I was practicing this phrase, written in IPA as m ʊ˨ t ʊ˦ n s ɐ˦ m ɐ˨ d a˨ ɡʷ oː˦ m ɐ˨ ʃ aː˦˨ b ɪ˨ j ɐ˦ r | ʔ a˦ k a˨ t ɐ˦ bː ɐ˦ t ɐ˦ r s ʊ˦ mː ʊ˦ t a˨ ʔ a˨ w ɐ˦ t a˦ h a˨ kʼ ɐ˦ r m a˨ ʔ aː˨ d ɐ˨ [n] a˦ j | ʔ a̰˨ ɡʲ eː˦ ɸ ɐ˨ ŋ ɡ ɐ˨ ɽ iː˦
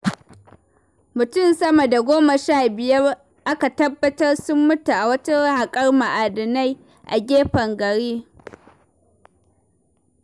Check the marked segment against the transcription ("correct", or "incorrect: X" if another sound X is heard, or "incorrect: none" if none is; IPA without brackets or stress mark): correct